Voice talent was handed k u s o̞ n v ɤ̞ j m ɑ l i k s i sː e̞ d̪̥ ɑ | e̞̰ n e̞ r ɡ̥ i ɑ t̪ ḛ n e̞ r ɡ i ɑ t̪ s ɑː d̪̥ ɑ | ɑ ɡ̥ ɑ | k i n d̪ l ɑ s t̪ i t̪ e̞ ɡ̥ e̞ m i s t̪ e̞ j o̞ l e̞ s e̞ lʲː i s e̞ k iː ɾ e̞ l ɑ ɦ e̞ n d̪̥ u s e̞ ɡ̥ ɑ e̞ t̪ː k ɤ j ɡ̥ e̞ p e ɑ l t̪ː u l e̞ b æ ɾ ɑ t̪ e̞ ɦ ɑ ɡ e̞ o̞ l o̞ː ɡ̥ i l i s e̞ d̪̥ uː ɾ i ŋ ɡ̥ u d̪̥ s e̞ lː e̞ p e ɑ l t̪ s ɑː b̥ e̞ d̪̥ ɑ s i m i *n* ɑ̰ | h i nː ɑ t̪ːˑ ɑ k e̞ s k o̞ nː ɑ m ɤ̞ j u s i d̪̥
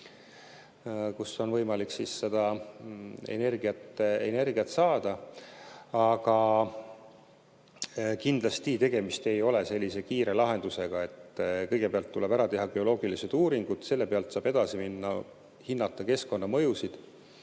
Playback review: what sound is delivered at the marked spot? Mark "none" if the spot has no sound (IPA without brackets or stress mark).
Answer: nː